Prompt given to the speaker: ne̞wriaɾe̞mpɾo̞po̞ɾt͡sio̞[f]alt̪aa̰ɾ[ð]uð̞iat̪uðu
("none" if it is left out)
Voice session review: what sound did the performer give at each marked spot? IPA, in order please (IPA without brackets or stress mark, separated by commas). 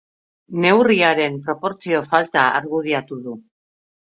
f, ɣ